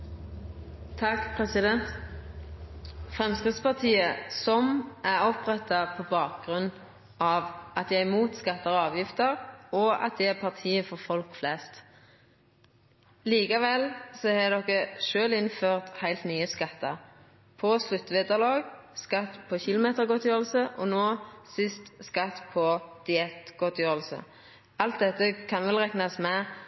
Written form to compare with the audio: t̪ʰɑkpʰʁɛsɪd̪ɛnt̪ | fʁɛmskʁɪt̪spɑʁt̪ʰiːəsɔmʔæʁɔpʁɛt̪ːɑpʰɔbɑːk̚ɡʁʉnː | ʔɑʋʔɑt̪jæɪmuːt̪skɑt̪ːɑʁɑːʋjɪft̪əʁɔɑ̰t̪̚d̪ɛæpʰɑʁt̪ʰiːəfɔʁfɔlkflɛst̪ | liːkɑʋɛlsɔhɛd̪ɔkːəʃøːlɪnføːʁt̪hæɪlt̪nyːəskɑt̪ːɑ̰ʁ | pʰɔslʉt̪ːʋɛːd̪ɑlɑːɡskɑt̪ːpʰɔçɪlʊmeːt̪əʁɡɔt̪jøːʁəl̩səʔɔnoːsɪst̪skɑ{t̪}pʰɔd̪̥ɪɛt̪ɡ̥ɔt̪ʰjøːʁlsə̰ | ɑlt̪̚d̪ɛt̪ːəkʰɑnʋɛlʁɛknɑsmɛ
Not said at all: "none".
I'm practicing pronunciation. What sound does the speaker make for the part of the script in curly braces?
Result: t̪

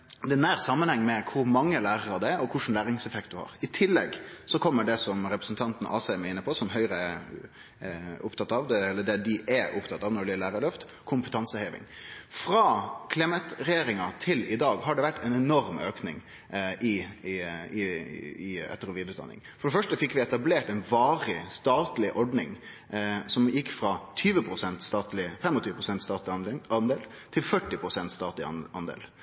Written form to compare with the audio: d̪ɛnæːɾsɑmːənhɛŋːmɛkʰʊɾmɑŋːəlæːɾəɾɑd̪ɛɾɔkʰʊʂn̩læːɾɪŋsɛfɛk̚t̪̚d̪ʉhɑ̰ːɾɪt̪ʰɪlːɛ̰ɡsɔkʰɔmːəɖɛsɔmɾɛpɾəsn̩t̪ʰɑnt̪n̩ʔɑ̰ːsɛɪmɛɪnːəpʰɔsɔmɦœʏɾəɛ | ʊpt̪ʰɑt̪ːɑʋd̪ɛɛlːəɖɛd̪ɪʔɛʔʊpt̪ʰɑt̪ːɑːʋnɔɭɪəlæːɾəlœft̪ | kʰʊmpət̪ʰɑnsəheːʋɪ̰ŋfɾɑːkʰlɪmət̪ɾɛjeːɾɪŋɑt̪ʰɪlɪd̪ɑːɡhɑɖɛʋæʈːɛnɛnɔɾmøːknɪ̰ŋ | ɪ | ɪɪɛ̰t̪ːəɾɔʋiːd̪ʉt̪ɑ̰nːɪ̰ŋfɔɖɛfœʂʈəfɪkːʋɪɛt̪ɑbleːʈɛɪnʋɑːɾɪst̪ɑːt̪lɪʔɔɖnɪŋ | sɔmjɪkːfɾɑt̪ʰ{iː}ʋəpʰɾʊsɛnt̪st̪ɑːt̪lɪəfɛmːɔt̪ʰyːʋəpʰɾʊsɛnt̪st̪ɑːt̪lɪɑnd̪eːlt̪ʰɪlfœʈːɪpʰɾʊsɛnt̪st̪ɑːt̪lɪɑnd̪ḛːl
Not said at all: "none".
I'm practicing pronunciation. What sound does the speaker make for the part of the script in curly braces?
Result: yː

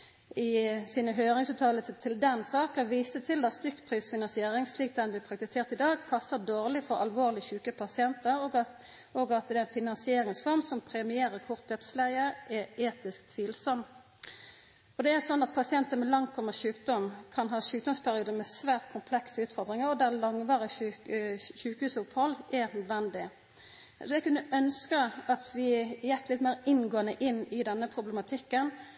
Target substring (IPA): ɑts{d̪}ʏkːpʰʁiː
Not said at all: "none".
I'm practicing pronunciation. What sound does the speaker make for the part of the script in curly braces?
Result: t̪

